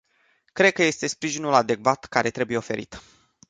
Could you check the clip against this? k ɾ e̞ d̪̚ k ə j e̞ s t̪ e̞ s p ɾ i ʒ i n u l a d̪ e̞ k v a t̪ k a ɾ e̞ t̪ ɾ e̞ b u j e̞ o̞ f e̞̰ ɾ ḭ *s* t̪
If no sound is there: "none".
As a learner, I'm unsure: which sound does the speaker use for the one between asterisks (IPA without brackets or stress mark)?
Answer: none